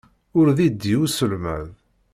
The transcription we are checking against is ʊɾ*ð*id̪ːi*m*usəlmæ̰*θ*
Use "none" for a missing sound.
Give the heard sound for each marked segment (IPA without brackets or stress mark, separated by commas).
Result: ð, none, ð